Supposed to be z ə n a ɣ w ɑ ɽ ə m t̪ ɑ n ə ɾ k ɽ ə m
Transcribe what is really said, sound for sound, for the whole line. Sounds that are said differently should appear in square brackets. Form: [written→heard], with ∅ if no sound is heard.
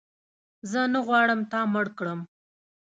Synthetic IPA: z ə n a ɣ w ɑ ɽ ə m t̪ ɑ [n→m] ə [ɾ→ɽ] k ɽ ə m